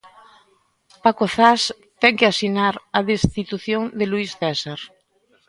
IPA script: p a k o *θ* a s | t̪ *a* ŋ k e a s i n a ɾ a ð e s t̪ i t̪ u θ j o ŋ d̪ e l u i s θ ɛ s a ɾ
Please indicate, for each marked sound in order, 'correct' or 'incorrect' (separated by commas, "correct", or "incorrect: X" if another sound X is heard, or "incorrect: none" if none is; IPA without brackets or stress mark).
correct, incorrect: ɛ